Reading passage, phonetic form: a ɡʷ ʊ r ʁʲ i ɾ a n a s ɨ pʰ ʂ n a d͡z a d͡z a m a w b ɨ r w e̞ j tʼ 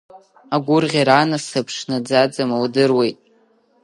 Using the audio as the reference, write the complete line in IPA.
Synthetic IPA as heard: a ɡʷ ʊ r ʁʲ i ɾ a n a s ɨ pʰ ʂ n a d͡z a d͡z a m a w d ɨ r w e̞ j tʼ